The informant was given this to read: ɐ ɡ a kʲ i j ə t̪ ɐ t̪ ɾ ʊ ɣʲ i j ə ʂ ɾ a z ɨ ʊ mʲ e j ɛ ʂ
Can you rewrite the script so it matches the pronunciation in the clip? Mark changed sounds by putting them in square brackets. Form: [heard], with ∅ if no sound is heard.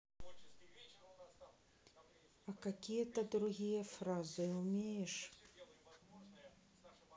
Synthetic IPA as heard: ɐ [k] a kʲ i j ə t̪ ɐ [d̪] ɾ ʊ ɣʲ i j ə [f] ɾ a z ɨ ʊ mʲ e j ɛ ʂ

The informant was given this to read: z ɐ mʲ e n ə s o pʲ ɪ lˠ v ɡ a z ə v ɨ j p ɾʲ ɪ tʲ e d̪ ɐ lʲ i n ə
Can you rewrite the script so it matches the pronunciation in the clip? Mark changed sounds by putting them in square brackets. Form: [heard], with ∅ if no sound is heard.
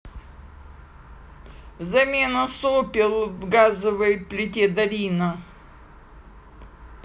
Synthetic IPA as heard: z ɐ mʲ e n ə s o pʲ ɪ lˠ v ɡ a z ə v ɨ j p [lʲ] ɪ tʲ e d̪ ɐ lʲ i n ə

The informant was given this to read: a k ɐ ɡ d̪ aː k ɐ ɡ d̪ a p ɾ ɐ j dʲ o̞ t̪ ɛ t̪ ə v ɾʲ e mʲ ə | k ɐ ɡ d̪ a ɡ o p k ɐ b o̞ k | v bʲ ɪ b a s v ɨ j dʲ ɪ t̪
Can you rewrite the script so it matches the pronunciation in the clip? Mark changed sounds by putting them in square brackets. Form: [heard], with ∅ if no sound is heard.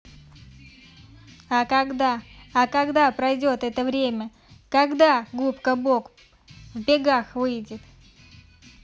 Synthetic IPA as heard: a k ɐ ɡ d̪ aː k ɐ ɡ d̪ a p ɾ ɐ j dʲ o̞ t̪ ɛ t̪ ə v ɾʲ e mʲ ə | k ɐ ɡ d̪ a ɡ [u] p k [ə] b o̞ k | v bʲ ɪ [ɡ] a [x] v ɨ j dʲ ɪ t̪

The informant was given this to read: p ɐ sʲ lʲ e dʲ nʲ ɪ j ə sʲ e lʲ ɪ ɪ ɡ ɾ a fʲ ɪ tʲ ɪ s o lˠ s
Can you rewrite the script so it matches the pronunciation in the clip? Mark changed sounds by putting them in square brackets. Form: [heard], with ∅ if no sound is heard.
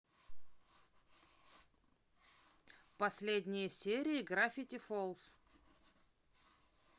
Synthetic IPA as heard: p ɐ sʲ lʲ e dʲ nʲ ɪ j ə sʲ e [ɾʲ] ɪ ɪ ɡ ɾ a fʲ ɪ tʲ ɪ [f] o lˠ s

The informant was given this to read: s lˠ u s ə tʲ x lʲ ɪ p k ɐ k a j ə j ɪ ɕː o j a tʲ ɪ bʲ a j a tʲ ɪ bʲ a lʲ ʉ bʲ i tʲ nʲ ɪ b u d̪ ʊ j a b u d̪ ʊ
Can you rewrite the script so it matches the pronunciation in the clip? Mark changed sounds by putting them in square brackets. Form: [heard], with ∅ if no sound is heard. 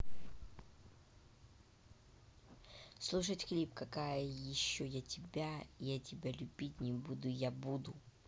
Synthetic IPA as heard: s lˠ u [ʂ] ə tʲ x lʲ [i] p k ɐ k a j ə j ɪ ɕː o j a tʲ ɪ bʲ a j a tʲ ɪ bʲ a lʲ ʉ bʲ i tʲ nʲ ɪ b u d̪ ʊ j a b u d̪ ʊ

